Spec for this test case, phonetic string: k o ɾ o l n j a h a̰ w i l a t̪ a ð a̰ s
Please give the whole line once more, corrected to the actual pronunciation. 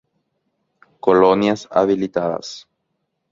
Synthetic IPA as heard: k o l o n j a s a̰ β i l i t̪ a ð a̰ s